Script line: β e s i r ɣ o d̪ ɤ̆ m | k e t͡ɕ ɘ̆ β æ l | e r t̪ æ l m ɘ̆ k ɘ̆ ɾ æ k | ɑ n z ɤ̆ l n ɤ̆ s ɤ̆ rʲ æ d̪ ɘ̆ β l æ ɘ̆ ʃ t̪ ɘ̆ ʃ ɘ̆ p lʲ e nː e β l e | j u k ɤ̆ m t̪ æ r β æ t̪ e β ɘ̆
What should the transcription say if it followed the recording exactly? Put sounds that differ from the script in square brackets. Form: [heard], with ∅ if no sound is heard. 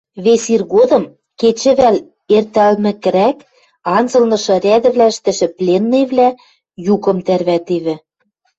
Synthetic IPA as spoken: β e s i r ɣ o d̪ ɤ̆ m | k e t͡ɕ ɘ̆ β æ l | e r t̪ æ l m ɘ̆ k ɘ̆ ɾ æ k | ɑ n z ɤ̆ l n ɤ̆ [ʃ] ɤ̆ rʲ æ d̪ ɘ̆ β l æ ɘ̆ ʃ t̪ ɘ̆ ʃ ɘ̆ p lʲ e nː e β l [æ] | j u k ɤ̆ m t̪ æ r β æ t̪ e β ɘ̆